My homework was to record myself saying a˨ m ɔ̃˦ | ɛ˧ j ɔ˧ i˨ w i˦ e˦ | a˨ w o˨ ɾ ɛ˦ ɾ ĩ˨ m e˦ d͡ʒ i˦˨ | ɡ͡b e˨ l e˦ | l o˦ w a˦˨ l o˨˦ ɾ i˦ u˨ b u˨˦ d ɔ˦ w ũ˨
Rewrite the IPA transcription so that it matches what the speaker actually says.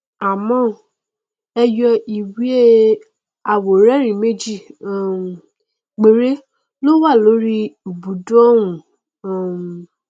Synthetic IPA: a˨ m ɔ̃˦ | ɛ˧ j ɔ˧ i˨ w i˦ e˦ | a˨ w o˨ ɾ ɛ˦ ɾ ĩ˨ m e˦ d͡ʒ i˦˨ | ɡ͡b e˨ ɾ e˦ | l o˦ w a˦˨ l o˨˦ ɾ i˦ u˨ b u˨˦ d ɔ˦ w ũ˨